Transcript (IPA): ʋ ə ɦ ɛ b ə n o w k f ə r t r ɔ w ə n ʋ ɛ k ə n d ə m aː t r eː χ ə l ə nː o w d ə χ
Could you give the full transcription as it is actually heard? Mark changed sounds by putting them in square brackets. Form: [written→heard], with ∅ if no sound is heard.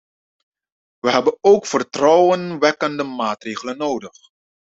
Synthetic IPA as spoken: ʋ ə ɦ ɛ b ə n o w k f ə r t r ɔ w ə n ʋ ɛ k ə n d ə m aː t r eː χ ə l ə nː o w d ə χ